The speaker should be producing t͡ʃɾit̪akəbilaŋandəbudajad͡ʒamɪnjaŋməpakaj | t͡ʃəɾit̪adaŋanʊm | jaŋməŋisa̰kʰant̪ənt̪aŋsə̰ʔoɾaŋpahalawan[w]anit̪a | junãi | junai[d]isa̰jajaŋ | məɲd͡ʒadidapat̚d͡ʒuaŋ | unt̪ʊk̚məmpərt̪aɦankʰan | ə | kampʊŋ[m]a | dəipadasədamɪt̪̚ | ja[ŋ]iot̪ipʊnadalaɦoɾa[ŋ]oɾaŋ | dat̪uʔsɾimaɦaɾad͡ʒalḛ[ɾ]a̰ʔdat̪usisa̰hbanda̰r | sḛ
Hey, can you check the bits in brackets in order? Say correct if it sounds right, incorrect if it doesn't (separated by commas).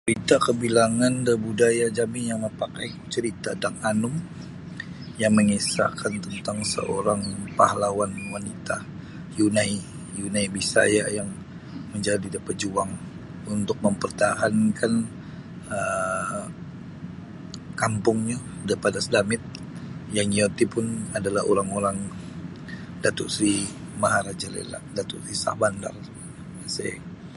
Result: correct, incorrect, incorrect, correct, correct, incorrect